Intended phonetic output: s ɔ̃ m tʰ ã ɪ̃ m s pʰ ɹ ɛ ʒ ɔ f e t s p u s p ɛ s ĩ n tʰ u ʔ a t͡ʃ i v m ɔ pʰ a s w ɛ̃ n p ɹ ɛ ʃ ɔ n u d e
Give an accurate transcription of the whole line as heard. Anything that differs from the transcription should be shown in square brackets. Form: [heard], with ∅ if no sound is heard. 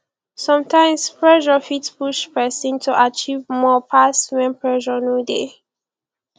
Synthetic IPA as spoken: s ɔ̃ m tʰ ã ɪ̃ m s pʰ ɹ ɛ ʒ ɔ f [i] t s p u [ʃ] p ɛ s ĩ n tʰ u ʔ a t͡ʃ i v m ɔ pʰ a s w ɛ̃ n p ɹ ɛ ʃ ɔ n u d e